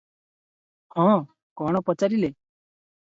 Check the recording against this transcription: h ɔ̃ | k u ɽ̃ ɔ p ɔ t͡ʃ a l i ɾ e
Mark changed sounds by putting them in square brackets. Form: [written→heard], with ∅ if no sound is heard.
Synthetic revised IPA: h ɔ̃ | k [u→ɔ] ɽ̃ ɔ p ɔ t͡ʃ a [l→ɾ] i [ɾ→l] e

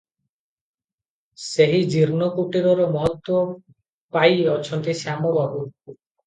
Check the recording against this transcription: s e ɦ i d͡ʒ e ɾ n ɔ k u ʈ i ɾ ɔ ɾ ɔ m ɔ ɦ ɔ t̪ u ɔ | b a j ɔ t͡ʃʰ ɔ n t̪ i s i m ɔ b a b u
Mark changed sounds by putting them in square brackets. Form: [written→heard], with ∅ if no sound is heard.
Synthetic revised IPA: s e ɦ i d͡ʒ [e→i] ɾ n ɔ k u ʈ i ɾ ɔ ɾ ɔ m ɔ ɦ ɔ t̪ [u→w] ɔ | [b→p] a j ɔ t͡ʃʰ ɔ n t̪ i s [i→a] m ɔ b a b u

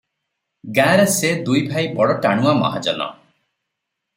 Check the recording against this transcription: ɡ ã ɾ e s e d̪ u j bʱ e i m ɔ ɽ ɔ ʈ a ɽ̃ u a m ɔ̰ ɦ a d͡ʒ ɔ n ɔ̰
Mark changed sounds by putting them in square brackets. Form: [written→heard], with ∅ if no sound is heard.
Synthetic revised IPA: ɡ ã ɾ e s e d̪ u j bʱ [e→a] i [m→b] ɔ ɽ ɔ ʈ a ɽ̃ u a m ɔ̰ ɦ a d͡ʒ ɔ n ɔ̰

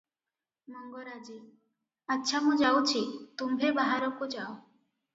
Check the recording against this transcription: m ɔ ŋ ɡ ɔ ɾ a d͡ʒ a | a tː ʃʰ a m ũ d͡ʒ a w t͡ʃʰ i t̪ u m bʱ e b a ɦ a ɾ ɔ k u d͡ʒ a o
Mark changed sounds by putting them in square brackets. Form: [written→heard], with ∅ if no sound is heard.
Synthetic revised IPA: m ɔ ŋ ɡ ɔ ɾ a d͡ʒ [a→i] | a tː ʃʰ a m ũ d͡ʒ a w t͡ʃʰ i t̪ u m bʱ e b a ɦ a ɾ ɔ k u d͡ʒ a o

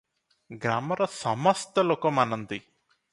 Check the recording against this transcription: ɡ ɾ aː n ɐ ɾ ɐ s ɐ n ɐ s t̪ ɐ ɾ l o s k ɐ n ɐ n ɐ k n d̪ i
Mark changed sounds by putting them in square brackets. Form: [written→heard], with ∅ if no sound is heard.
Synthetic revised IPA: ɡ ɾ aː [n→m] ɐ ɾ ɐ s ɐ [n→m] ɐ s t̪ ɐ [ɾ→∅] l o [s→∅] k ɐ [n→m] ɐ n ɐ [k→∅] n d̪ i

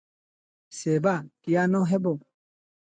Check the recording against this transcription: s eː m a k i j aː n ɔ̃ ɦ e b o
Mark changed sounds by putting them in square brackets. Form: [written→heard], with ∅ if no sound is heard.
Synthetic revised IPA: s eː [m→b] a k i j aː n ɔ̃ ɦ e b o

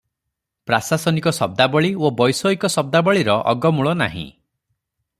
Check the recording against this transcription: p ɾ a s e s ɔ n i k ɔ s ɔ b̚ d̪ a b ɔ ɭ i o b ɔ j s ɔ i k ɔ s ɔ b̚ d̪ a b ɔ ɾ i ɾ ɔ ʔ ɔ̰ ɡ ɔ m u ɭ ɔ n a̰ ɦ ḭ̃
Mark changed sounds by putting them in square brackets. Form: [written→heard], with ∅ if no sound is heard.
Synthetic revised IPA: p ɾ a s [e→a] s ɔ n i k ɔ s ɔ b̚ d̪ a b ɔ ɭ i o b ɔ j s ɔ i k ɔ s ɔ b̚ d̪ a b ɔ [ɾ→ɭ] i ɾ ɔ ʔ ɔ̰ ɡ ɔ m u ɭ ɔ n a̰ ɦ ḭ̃

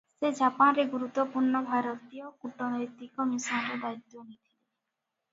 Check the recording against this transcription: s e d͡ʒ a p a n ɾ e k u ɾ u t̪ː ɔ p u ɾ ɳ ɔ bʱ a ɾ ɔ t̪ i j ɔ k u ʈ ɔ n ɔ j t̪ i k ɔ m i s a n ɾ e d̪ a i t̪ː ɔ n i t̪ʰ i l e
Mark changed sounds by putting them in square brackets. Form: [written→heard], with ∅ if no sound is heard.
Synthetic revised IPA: s e d͡ʒ a p a n ɾ e [k→ɡ] u ɾ u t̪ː ɔ p u ɾ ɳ ɔ bʱ a ɾ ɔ t̪ i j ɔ k u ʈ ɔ n ɔ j t̪ i k ɔ m i s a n ɾ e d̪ a i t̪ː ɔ n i t̪ʰ i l e

